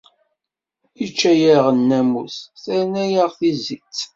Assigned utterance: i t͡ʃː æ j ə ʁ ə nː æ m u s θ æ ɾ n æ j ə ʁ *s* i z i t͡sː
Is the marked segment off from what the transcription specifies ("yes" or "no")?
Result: yes